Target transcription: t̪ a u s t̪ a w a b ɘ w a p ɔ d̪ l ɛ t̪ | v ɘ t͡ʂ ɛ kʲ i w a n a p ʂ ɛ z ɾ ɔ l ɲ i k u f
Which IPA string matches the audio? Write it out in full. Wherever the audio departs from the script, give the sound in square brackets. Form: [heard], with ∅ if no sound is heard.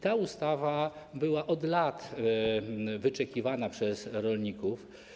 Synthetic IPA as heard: t̪ a u s t̪ a [v] a b ɘ w a [ʔ] ɔ d̪ l [a] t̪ | v ɘ t͡ʂ ɛ kʲ i [v] a n a p ʂ ɛ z ɾ ɔ l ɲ i k u f